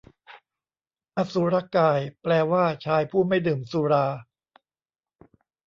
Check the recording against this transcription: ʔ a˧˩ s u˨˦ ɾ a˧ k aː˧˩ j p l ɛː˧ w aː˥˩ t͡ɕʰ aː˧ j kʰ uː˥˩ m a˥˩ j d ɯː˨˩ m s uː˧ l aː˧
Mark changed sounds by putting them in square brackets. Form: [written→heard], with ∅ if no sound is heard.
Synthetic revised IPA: ʔ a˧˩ s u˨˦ ɾ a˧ k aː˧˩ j p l ɛː˧ w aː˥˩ t͡ɕʰ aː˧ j [kʰ→pʰ] uː˥˩ m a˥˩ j d ɯː˨˩ m s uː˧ [l→ɾ] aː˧